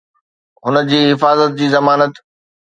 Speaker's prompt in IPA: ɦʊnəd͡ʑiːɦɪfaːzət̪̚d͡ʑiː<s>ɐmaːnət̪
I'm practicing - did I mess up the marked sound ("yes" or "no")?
yes